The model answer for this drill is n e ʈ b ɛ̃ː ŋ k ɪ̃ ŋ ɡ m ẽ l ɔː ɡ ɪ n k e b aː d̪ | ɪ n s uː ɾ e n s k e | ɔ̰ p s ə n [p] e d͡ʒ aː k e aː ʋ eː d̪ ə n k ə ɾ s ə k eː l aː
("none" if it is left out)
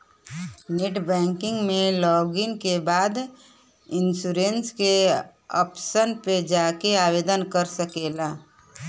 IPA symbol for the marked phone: p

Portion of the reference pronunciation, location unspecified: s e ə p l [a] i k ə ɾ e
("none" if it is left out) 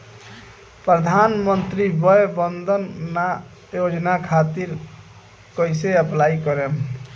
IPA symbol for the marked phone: a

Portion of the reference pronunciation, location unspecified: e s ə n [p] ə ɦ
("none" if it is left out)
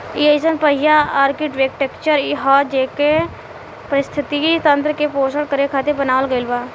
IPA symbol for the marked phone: p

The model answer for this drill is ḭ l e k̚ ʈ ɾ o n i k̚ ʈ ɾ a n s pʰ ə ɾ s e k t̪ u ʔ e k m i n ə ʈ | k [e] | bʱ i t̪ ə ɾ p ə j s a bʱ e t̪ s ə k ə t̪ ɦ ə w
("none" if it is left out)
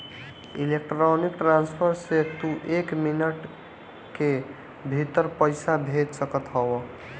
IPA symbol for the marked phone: e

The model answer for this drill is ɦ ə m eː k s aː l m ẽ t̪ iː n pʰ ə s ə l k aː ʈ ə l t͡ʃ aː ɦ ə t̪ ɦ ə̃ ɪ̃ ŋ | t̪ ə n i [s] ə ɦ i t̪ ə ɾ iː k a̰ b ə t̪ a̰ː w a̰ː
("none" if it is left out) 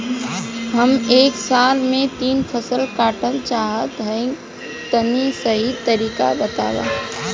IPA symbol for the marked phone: s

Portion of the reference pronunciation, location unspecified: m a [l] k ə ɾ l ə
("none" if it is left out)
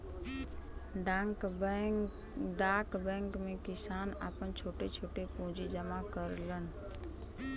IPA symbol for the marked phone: none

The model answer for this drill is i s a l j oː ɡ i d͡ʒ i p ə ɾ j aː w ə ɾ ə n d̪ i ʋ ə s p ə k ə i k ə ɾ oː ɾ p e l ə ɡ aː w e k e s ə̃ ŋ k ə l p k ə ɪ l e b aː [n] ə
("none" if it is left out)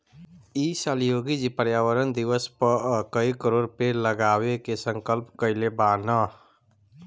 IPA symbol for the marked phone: n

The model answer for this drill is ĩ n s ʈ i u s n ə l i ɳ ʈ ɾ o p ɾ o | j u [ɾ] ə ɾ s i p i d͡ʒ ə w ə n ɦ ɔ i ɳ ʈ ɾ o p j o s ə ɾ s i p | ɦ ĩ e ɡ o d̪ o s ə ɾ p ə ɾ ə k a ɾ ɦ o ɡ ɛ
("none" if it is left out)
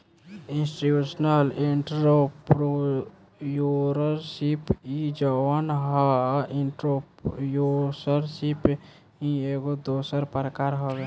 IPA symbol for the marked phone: ɾ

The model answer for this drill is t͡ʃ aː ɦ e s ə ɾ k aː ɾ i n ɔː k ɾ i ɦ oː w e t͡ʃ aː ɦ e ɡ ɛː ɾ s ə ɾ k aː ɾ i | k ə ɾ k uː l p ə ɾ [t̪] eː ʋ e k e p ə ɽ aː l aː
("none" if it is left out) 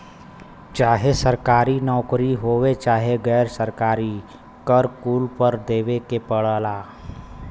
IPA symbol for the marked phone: d̪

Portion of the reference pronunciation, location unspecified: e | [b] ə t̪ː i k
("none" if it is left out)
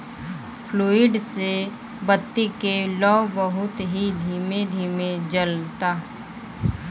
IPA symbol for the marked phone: b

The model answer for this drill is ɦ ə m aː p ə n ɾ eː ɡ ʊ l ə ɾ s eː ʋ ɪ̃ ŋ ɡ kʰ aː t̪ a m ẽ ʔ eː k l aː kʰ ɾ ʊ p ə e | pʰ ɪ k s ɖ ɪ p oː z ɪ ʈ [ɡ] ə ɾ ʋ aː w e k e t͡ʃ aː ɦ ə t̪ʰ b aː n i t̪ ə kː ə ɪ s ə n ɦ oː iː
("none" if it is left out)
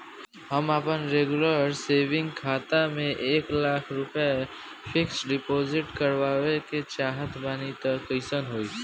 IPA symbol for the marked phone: k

